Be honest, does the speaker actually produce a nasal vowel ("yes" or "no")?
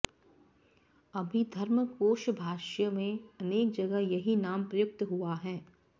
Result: yes